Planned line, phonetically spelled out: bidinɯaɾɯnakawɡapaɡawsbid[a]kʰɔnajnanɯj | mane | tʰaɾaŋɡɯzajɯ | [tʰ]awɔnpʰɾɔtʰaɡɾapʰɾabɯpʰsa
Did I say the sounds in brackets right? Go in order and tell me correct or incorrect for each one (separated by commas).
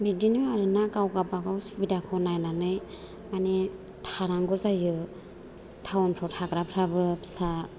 correct, correct